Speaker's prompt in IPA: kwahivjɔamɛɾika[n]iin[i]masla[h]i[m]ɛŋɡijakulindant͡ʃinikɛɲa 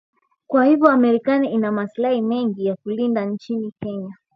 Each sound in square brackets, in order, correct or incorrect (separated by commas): correct, incorrect, correct, correct